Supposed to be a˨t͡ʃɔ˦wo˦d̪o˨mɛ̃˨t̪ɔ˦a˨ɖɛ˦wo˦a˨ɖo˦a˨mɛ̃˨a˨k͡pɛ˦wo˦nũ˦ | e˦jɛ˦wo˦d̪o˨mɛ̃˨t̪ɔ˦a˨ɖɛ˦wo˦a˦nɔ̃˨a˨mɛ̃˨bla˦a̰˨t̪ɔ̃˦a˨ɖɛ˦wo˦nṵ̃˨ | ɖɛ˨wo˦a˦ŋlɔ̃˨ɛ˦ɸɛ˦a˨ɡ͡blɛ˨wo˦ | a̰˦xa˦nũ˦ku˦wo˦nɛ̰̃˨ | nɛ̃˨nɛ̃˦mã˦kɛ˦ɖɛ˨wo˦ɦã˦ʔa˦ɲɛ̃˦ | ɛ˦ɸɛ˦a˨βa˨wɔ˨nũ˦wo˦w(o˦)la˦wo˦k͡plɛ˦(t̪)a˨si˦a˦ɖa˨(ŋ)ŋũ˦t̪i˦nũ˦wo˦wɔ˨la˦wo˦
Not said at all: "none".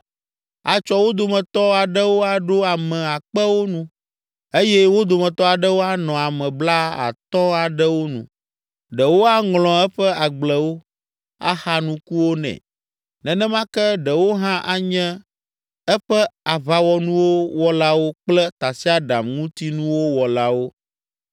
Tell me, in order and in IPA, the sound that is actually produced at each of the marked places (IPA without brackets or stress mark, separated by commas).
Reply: ɔ˦, t̪, m